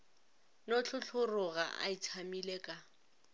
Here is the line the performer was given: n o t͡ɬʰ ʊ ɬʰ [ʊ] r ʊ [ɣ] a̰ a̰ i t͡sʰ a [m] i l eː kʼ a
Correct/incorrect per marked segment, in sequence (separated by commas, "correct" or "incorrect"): correct, correct, correct